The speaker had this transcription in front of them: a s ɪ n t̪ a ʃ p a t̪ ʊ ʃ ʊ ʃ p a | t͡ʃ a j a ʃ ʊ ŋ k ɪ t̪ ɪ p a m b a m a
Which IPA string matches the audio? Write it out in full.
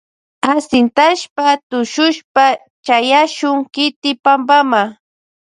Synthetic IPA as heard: a s ɪ n t̪ a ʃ p a t̪ ʊ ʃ ʊ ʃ p a | t͡ʃ a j a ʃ ʊ ŋ k ɪ t̪ ɪ p a m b a m a